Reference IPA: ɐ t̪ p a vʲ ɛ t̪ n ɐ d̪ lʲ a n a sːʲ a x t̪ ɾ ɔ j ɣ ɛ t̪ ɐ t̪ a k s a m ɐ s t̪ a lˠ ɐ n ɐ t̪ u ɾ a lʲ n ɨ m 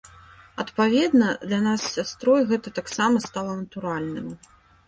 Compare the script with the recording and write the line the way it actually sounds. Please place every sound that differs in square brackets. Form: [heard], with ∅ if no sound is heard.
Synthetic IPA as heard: ɐ t̪ p a vʲ ɛ [d̪] n ɐ d̪ lʲ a n a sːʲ a [s] t̪ ɾ ɔ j ɣ ɛ t̪ ɐ t̪ a k s a m ɐ s t̪ a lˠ ɐ n ɐ t̪ u ɾ a lʲ n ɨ m